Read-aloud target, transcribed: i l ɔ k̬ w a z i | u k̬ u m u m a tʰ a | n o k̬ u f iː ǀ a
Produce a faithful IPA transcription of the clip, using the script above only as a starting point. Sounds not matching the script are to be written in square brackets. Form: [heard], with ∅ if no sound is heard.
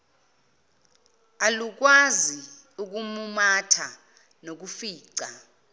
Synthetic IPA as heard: [a] l [u] k̬ w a z i | u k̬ u m u m a tʰ a | n o k̬ u f iː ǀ a